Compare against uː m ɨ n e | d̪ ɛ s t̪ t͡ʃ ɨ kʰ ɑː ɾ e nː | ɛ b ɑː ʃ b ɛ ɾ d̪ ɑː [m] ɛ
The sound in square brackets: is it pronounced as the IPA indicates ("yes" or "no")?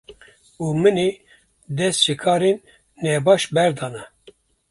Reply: no